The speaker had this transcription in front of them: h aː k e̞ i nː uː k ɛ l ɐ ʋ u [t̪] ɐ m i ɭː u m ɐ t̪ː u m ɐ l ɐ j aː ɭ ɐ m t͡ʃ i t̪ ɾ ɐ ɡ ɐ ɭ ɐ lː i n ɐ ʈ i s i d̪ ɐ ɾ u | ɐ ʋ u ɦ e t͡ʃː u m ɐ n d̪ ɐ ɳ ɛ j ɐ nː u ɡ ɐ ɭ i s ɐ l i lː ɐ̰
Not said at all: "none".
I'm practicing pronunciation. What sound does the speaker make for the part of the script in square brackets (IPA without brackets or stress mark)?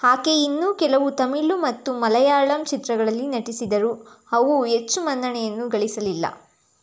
t̪